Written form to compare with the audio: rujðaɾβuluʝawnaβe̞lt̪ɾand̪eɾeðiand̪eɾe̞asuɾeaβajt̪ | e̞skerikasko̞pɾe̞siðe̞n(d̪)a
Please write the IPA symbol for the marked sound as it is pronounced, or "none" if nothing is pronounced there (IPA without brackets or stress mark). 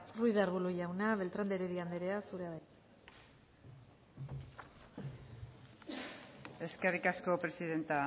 t̪